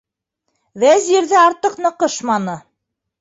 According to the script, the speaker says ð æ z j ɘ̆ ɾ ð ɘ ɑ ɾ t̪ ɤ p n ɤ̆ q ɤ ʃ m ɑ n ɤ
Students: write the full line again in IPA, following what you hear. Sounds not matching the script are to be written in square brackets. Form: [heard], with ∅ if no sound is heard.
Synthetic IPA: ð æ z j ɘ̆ ɾ ð ɘ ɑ ɾ t̪ ɤ [q] n ɤ̆ q ɤ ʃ m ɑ n ɤ